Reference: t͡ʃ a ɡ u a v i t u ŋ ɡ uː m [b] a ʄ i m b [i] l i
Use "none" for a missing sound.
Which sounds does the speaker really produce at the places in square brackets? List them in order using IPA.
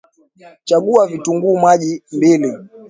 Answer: w, i

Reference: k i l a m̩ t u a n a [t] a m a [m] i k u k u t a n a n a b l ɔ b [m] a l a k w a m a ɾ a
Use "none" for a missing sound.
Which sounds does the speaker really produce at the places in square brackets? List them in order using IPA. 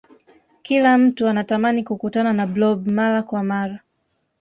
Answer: t, n, m

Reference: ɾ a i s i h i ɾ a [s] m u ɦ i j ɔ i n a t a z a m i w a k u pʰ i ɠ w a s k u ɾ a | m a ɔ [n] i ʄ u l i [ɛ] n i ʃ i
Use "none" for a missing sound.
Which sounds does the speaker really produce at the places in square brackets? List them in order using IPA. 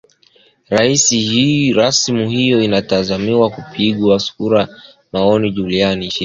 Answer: s, n, a

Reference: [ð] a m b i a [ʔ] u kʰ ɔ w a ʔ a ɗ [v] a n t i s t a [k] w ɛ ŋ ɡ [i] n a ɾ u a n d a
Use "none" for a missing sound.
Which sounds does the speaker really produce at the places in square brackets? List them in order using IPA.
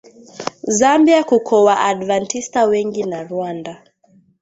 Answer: z, k, v, none, i

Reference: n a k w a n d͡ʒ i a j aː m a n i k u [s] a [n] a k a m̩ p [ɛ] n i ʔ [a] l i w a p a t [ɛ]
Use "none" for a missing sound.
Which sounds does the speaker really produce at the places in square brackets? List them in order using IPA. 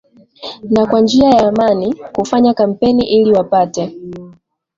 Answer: f, ɲ, ɛ, i, ɛ

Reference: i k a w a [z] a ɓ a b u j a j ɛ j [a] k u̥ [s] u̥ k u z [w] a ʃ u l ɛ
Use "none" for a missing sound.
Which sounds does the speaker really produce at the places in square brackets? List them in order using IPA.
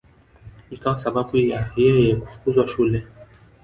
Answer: s, ɛ, f, w

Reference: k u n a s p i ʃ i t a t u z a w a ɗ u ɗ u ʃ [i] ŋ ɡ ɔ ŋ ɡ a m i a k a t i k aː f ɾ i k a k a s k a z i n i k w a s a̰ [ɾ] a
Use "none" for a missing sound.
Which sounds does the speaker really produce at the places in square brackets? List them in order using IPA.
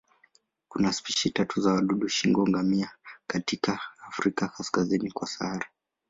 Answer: i, ɾ

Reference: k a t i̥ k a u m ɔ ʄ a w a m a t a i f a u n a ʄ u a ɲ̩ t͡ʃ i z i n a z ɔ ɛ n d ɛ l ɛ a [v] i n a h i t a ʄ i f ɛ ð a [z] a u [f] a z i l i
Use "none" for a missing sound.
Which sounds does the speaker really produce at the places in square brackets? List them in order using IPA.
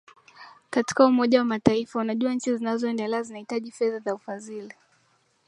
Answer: z, z, f

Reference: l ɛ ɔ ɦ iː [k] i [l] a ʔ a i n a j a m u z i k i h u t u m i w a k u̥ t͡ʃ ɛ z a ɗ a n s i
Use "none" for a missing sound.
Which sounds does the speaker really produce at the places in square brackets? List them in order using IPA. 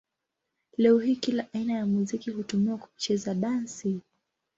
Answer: k, l

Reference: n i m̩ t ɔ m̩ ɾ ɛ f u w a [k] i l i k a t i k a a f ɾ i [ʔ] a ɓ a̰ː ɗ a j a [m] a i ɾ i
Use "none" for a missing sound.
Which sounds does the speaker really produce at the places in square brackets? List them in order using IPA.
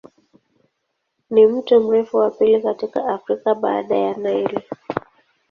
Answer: p, k, n

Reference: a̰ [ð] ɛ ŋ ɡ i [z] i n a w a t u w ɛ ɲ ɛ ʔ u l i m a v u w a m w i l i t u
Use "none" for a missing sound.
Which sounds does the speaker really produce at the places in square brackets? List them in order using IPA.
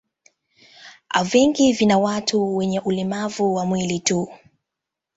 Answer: v, v

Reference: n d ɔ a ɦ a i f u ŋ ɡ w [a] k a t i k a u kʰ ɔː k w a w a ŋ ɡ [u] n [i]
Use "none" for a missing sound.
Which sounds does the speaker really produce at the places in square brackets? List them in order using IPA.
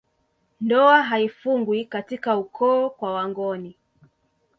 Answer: i, ɔ, i

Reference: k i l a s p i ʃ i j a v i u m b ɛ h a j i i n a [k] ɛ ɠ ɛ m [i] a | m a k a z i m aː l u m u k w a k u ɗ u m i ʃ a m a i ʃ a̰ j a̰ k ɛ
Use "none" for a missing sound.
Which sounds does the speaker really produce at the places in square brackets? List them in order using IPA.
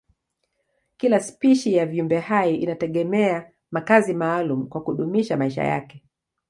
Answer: t, ɛ

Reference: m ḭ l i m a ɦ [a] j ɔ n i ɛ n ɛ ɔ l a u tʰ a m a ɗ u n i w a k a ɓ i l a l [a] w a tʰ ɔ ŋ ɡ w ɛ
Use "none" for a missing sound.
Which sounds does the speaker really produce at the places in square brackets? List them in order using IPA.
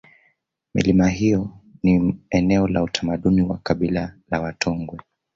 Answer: i, a

